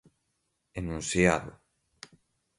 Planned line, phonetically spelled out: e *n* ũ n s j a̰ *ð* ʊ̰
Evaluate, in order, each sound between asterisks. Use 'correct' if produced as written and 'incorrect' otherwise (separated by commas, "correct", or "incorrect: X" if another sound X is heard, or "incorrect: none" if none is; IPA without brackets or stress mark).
correct, correct